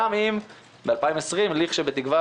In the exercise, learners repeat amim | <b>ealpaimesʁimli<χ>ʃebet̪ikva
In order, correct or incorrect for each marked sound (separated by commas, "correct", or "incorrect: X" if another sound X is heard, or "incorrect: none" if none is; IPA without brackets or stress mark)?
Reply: correct, correct